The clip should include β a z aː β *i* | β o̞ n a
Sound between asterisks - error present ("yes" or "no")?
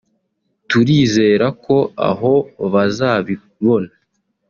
no